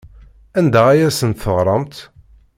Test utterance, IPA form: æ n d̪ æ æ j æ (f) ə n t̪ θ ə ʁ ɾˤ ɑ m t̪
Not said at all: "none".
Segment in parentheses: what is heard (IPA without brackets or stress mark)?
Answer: s